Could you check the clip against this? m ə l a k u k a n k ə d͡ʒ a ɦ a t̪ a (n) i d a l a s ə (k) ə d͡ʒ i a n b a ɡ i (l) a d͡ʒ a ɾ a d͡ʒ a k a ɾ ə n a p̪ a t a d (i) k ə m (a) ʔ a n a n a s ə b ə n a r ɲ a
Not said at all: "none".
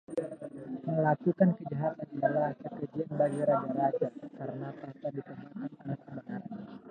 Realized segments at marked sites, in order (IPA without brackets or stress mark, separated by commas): n, k, ɾ, i, a